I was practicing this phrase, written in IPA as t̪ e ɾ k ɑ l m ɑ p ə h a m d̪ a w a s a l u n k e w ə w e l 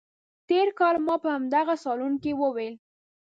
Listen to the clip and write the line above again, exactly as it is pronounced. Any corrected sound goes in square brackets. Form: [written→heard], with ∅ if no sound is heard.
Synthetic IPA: t̪ e ɾ k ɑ l m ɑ p ə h a m d̪ a [w→ɣ] a s [a→ɑ] l u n k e w ə w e l